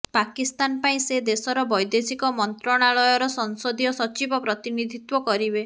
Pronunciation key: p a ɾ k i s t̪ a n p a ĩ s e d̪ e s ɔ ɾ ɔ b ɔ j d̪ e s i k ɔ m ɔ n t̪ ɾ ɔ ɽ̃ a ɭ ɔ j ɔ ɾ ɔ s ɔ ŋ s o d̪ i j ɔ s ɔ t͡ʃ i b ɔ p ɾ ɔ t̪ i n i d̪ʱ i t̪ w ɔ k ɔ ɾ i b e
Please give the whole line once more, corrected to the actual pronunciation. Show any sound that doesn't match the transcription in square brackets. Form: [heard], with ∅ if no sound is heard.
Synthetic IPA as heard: p a [∅] k i s t̪ a n p a ĩ s e d̪ e s ɔ ɾ ɔ b ɔ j d̪ e s i k ɔ m ɔ n t̪ ɾ ɔ ɽ̃ a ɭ ɔ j ɔ ɾ ɔ s ɔ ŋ s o d̪ i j ɔ s ɔ t͡ʃ i b ɔ p ɾ ɔ t̪ i n i d̪ʱ i t̪ w ɔ k ɔ ɾ i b e

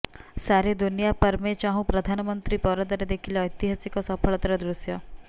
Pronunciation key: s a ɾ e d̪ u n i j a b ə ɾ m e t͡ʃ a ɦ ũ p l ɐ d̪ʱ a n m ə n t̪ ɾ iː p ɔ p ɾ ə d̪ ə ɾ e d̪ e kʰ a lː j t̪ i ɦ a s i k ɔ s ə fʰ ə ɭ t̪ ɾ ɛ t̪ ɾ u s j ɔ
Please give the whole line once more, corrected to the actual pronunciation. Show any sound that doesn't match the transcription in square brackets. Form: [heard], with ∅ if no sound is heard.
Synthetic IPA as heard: s a ɾ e d̪ u n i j a [p] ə ɾ m e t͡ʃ a ɦ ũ p [ɾ] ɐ d̪ʱ a n m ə n t̪ ɾ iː p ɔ [∅] ɾ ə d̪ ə ɾ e d̪ e kʰ [i] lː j t̪ i ɦ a s i k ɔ s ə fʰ ə ɭ t̪ ɾ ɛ [d̪] ɾ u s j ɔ

